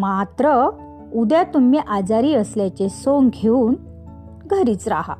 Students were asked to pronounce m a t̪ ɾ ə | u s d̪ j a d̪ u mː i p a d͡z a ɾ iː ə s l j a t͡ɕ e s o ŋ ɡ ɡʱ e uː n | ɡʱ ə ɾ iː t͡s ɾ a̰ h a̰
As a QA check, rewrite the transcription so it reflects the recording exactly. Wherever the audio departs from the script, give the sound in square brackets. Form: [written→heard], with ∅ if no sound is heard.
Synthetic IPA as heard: m a t̪ ɾ ə | u [s→∅] d̪ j a [d̪→t̪] u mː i [p→ʔ] a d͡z a ɾ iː ə s l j a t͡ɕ e s o ŋ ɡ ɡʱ e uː n | ɡʱ ə ɾ iː t͡s ɾ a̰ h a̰